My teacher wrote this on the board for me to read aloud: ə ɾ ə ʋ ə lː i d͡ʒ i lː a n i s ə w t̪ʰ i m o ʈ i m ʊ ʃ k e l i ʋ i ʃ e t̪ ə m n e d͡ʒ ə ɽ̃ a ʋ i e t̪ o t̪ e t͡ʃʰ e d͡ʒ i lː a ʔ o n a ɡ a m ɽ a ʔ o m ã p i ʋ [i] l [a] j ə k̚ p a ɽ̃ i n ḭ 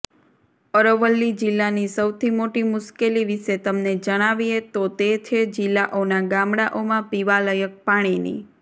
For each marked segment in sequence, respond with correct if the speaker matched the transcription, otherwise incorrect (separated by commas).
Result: incorrect, incorrect